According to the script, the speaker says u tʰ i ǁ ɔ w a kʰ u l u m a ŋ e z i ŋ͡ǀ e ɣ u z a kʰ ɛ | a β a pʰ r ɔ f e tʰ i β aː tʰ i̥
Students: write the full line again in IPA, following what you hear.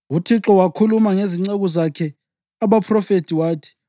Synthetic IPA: u tʰ i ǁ ɔ w a kʰ u l u m a ŋ e z i ŋ͡ǀ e ɣ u z a kʰ ɛ | a β a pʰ r ɔ f e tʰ i w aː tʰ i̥